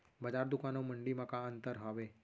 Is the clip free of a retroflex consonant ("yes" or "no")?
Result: no